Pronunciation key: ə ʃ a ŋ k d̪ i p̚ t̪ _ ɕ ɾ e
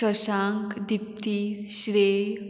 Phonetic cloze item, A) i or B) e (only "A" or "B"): A